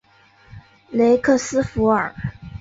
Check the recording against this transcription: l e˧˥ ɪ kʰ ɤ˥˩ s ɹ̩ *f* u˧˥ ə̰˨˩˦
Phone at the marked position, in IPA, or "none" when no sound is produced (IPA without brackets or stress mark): f